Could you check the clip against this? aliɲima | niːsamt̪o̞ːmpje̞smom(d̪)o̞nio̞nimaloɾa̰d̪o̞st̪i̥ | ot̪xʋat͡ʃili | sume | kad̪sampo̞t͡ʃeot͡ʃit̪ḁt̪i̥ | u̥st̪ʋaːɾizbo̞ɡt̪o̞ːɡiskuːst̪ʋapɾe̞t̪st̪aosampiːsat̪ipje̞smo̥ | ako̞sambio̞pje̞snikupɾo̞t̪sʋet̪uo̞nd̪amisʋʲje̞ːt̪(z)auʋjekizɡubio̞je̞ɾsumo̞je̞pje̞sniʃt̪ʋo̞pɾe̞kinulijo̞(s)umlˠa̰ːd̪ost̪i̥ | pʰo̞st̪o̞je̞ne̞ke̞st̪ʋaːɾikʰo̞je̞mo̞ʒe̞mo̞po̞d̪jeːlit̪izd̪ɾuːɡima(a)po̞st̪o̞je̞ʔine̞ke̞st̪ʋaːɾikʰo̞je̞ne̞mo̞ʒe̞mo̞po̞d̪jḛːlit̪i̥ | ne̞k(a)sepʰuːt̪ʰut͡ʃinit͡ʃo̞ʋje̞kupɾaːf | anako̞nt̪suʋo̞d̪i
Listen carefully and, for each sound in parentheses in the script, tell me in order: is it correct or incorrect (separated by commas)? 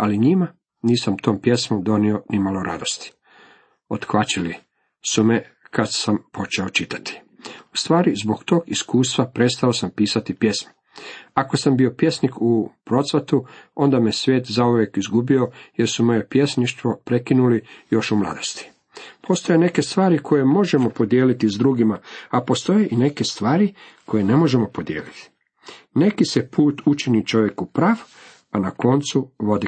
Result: correct, correct, incorrect, correct, incorrect